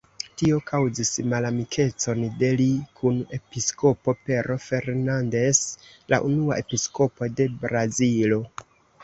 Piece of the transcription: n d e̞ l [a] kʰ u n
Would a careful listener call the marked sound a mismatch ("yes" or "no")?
yes